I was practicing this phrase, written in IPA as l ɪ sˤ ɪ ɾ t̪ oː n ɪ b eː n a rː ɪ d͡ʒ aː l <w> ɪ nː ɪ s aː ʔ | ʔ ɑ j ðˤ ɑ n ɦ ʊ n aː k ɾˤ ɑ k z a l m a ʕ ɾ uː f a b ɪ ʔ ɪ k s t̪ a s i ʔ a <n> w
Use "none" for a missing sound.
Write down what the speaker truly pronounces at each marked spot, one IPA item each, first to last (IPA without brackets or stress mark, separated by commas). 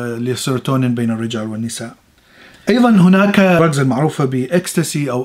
w, none